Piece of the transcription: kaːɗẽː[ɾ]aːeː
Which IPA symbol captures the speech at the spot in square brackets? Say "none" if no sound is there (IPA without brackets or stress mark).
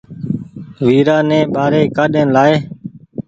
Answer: l